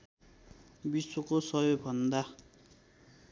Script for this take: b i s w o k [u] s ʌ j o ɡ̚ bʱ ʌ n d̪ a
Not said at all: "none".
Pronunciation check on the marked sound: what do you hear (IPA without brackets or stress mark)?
o